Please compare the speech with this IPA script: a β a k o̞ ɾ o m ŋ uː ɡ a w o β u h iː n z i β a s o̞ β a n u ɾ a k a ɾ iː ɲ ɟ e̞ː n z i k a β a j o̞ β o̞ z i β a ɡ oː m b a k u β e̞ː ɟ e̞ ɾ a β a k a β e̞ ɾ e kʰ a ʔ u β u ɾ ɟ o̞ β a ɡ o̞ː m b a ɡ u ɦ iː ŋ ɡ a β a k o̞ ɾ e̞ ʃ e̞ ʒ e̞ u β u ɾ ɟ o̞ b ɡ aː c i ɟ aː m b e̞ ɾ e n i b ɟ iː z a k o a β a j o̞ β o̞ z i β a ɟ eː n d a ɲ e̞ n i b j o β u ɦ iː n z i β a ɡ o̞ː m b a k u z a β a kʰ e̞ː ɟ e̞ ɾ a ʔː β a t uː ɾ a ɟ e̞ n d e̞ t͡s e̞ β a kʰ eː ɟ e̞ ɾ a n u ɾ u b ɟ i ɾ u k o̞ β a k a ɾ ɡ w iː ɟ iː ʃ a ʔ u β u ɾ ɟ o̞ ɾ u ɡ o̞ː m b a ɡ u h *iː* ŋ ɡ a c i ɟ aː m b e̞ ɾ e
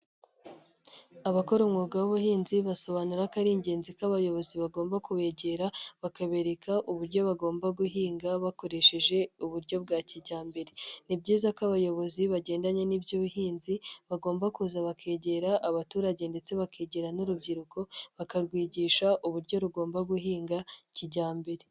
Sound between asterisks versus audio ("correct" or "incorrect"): correct